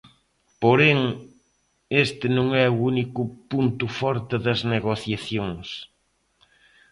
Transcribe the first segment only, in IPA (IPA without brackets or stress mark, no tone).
p